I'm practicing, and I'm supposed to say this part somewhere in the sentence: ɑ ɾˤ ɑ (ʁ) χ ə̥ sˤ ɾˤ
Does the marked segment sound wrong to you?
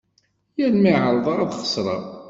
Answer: yes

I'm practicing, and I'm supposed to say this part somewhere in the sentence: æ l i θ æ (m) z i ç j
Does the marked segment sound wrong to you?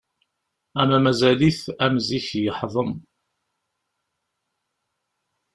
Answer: no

